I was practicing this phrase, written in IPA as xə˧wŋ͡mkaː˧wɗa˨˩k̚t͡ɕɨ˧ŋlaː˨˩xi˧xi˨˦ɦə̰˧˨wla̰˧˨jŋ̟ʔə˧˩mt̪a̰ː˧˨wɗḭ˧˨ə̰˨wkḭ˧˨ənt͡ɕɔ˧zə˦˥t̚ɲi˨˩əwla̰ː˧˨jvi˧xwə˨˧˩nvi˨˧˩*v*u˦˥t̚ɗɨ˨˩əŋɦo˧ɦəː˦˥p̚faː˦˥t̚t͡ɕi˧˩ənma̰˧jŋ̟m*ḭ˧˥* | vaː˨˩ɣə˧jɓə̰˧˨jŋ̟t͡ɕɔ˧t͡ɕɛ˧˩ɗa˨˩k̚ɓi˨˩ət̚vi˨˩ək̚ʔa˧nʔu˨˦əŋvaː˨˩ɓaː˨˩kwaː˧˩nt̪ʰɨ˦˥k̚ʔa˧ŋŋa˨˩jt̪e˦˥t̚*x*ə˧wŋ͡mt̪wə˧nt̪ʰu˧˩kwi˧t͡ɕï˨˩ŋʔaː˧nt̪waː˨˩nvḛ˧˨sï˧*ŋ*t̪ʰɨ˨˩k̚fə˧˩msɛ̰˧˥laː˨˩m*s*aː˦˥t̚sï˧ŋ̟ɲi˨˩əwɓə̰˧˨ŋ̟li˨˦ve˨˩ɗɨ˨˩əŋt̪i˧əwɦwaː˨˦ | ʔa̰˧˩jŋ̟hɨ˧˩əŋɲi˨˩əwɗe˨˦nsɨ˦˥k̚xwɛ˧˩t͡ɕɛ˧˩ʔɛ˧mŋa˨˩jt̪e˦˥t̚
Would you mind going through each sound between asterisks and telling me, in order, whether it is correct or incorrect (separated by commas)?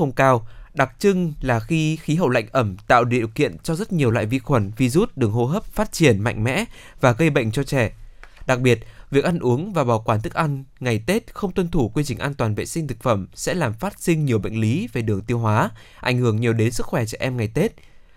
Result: incorrect, incorrect, correct, correct, incorrect